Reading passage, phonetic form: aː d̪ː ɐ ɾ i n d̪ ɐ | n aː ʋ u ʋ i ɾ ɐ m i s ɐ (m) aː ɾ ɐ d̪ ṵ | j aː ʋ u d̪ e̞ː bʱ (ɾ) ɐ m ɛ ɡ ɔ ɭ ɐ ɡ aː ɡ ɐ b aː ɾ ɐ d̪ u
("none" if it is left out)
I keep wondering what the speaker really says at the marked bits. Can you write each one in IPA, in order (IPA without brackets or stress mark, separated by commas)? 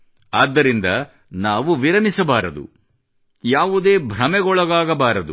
b, ɾ